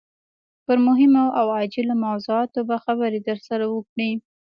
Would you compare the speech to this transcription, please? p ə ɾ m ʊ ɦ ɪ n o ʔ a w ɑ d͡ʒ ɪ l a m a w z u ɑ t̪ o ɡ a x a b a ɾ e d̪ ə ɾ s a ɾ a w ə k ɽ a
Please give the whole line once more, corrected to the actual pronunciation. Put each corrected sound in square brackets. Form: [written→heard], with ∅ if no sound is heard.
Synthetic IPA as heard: p ə ɾ m ʊ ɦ ɪ [n→m] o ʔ a w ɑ d͡ʒ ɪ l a m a w z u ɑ t̪ o [ɡ→b] a x a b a ɾ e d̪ ə ɾ s a ɾ a w ə k ɽ [a→i]